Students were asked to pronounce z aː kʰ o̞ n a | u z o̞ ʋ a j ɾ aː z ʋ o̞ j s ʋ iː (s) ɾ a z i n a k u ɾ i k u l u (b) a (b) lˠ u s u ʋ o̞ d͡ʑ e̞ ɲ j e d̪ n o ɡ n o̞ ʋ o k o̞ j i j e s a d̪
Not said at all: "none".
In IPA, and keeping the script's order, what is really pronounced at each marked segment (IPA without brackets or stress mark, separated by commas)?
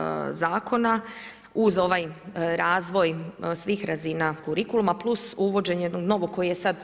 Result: x, m, p